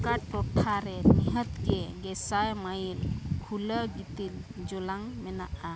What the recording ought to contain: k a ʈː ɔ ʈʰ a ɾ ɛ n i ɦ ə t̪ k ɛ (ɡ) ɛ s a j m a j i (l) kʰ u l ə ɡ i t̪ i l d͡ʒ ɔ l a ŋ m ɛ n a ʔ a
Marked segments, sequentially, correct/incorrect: correct, correct

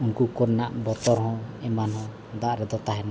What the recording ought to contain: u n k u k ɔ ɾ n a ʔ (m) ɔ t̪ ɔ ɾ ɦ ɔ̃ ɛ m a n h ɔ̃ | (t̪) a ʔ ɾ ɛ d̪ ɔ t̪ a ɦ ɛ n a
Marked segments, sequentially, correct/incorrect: incorrect: b, incorrect: d̪

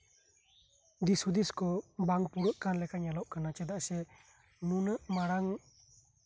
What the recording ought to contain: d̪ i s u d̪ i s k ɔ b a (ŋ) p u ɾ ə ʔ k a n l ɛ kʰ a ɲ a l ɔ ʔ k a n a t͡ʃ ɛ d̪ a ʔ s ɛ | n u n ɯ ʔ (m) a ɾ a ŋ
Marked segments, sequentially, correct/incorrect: correct, correct

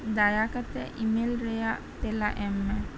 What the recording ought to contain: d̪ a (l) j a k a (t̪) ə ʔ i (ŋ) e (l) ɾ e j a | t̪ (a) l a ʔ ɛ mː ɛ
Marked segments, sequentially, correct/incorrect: incorrect: none, correct, incorrect: m, correct, incorrect: e

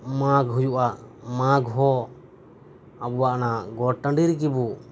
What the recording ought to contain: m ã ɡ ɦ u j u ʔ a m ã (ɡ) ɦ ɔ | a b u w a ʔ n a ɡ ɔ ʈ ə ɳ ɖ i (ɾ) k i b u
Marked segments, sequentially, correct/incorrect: correct, correct

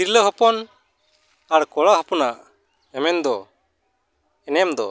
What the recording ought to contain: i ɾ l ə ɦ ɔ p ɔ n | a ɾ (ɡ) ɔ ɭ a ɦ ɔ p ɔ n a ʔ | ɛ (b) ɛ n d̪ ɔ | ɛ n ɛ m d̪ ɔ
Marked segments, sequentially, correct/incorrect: incorrect: k, incorrect: m

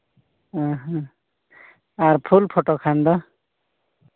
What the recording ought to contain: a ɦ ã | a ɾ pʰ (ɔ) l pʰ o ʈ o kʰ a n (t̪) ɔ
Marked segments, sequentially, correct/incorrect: incorrect: u, incorrect: d̪

